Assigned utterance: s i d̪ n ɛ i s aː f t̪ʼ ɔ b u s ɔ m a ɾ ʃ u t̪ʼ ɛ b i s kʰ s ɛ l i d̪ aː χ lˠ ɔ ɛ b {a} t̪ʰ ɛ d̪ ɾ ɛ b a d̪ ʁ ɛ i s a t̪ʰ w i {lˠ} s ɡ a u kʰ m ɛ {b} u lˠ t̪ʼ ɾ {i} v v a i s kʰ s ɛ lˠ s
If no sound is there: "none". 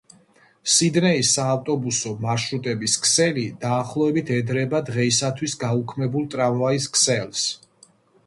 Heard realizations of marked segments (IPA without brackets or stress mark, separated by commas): i, none, b, a